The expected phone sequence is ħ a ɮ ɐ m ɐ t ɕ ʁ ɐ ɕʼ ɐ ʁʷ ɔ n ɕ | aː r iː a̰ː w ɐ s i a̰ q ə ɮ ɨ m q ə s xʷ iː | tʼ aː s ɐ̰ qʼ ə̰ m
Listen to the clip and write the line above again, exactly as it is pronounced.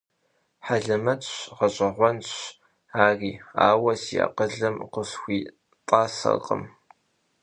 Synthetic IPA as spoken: ħ a ɮ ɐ m ɐ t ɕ ʁ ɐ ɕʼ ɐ ʁʷ ɔ n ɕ | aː r iː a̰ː w ɐ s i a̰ q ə ɮ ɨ m q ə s xʷ iː | tʼ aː s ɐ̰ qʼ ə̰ m